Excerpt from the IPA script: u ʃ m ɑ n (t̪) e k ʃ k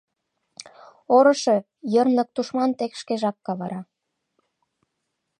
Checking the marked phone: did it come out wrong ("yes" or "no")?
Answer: no